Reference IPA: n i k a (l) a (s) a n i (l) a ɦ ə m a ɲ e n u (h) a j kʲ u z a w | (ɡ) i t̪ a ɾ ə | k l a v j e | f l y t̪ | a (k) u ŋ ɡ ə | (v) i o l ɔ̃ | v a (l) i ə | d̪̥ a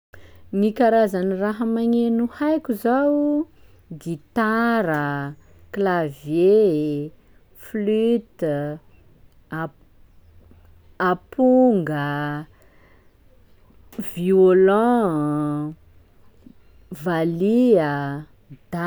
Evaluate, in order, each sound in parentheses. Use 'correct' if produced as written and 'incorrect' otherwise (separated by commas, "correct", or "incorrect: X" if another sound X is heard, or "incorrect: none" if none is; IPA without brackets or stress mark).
incorrect: ɾ, incorrect: z, incorrect: r, correct, correct, incorrect: p, correct, correct